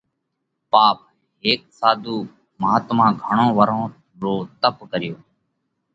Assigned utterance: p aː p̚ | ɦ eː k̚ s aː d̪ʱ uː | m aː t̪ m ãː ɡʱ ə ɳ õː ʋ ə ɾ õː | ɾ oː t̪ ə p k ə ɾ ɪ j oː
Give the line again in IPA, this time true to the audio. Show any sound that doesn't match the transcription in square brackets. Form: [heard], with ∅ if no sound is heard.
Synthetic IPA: p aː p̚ | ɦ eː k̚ s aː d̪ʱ uː | m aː t̪ m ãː ɡʱ ə ɳ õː ʋ ə ɾ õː | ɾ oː t̪ ə p k ə ɾ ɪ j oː

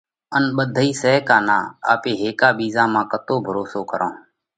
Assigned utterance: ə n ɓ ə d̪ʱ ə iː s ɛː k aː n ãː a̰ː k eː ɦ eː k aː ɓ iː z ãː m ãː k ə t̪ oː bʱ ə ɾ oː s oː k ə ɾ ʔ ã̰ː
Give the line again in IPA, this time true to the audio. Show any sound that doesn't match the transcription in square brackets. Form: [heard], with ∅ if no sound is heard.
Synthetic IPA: ə n ɓ ə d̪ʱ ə iː s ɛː k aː n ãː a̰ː [p] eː ɦ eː k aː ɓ iː z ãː m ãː k ə t̪ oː bʱ ə ɾ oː s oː k ə ɾ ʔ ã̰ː

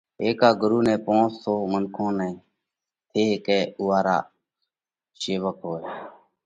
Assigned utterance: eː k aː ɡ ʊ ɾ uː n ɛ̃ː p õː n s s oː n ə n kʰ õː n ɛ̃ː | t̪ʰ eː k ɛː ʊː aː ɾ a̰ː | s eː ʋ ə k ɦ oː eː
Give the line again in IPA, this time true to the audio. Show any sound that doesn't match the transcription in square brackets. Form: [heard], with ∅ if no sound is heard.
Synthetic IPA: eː k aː ɡ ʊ ɾ uː n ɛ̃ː p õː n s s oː [m] ə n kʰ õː n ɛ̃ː | t̪ʰ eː k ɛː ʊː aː ɾ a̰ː | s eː ʋ ə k ɦ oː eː

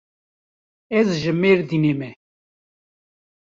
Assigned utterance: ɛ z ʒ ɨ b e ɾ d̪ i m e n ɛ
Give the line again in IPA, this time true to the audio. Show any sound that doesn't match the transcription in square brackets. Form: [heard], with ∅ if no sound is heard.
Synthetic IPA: ɛ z ʒ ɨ [m] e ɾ d̪ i [n] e [m] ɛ

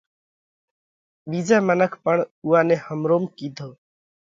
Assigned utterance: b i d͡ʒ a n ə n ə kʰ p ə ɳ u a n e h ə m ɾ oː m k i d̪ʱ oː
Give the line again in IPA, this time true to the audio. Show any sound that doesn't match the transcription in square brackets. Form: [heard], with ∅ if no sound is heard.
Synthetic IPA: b i d͡ʒ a [m] ə n ə kʰ p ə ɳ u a n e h ə m ɾ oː m k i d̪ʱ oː

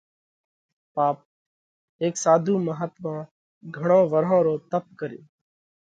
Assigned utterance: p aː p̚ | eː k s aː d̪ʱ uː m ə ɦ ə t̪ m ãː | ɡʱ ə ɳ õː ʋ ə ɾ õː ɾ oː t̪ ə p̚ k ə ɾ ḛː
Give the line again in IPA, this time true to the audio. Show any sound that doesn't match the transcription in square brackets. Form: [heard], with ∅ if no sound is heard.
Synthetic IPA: p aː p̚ | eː k s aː d̪ʱ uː m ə ɦ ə t̪ m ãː | ɡʱ ə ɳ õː ʋ ə ɾ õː ɾ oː t̪ ə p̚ k ə ɾ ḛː

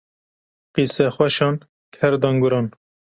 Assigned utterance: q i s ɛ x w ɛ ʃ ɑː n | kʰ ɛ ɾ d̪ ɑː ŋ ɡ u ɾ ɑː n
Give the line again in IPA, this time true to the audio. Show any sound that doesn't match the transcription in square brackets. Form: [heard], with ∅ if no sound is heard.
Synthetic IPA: q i s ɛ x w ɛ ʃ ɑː n | kʰ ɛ ɾ d̪ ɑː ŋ ɡ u ɾ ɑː n

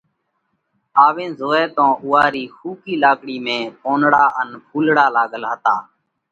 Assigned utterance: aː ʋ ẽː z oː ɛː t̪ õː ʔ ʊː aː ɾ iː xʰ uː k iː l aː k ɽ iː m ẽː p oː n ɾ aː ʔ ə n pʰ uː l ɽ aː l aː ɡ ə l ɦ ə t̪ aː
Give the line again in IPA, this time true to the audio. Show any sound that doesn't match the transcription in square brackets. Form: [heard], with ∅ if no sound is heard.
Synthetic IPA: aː ʋ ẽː z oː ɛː t̪ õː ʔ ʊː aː ɾ iː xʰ uː k iː l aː k ɽ iː m ẽː p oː n [ɽ] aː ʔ ə n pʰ uː l ɽ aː l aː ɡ ə l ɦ ə t̪ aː

